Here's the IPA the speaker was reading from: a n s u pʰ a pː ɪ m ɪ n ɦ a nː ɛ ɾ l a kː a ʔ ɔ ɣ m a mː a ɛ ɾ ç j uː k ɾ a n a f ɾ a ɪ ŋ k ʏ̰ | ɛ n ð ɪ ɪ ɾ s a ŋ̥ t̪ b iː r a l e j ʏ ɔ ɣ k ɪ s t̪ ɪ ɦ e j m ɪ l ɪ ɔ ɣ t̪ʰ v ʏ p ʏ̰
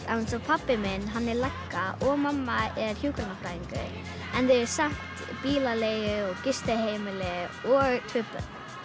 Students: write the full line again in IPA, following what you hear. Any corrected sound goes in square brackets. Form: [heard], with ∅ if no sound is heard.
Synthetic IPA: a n s [ɔ] pʰ a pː ɪ m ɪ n ɦ a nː ɛ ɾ l a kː a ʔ ɔ ɣ m a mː a ɛ ɾ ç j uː k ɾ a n a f ɾ a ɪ ŋ k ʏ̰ | ɛ n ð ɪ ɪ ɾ s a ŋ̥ t̪ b iː [l] a l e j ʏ ɔ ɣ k ɪ s t̪ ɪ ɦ e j m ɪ l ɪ ɔ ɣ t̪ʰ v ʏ p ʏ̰